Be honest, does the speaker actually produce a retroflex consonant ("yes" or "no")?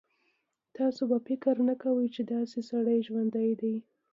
yes